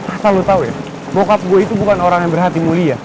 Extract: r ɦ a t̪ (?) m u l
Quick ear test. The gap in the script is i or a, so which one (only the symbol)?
i